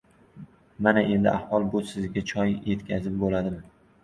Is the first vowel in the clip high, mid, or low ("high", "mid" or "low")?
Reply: low